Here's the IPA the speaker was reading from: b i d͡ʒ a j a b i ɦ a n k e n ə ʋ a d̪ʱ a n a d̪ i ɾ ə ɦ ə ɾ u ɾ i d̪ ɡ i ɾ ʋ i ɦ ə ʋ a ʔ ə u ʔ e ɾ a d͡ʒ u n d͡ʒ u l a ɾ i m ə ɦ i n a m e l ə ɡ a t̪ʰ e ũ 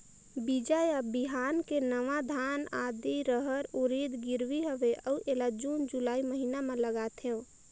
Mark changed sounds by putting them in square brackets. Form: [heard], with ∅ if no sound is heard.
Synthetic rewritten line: b i d͡ʒ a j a b i ɦ a n k e n ə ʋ a d̪ʱ a n a d̪ i ɾ ə ɦ ə ɾ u ɾ i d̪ ɡ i ɾ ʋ i ɦ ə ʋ [e] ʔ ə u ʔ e [l] a d͡ʒ u n d͡ʒ u l a [∅] i m ə ɦ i n a m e l ə ɡ a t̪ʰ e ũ